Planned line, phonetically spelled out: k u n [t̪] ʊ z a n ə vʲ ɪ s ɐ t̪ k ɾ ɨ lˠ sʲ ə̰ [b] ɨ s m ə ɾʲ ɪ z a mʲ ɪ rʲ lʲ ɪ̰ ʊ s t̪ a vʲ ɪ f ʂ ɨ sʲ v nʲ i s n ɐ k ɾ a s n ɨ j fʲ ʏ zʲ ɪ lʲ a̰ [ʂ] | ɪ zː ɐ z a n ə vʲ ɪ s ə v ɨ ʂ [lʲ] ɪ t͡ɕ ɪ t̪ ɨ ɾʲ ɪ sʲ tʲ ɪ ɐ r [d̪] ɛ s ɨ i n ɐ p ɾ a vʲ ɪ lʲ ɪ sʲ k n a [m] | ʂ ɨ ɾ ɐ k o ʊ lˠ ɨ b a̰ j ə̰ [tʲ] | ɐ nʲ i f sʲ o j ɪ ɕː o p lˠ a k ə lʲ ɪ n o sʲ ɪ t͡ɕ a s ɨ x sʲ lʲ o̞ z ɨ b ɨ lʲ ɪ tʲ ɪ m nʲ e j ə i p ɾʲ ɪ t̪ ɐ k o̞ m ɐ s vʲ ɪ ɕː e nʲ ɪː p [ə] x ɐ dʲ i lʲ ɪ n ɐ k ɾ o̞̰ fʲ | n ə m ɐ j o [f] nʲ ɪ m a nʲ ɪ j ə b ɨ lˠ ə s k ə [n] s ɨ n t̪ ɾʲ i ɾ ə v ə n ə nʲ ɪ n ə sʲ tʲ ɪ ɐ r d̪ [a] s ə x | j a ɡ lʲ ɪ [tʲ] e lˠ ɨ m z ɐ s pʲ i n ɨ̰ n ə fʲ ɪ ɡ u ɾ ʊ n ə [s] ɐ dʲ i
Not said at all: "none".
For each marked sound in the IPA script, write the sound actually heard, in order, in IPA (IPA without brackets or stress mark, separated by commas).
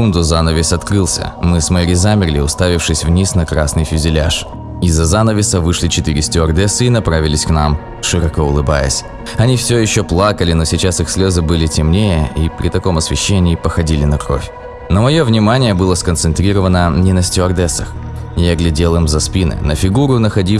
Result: d̪, m, ʂ, lʲ, d̪, m, sʲ, ə, v, n, ɛ, dʲ, x